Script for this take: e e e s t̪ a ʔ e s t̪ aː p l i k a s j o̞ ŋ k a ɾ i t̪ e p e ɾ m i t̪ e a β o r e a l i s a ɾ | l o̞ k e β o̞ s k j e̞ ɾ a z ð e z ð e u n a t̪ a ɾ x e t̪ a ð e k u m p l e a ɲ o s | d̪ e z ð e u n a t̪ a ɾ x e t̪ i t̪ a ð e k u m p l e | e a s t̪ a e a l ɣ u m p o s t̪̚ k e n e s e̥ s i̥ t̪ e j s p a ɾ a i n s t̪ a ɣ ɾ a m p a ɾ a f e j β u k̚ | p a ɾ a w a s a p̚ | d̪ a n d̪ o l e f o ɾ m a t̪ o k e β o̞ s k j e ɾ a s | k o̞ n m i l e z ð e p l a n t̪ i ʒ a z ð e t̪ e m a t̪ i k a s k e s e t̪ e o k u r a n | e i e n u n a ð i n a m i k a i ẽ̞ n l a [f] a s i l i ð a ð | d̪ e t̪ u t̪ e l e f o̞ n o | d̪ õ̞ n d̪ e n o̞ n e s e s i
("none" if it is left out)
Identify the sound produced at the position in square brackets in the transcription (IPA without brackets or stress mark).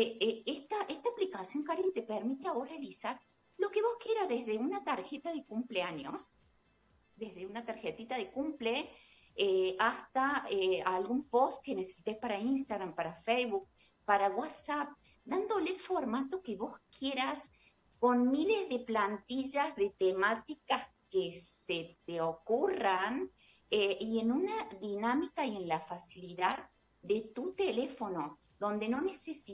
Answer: f